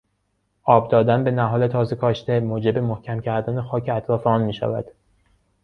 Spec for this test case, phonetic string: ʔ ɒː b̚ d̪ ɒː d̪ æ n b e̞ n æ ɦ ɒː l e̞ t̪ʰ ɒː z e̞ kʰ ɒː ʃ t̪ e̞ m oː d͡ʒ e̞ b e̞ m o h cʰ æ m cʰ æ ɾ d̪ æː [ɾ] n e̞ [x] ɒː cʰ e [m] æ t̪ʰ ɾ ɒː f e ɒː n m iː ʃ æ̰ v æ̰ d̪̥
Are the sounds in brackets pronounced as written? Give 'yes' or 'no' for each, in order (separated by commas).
no, yes, no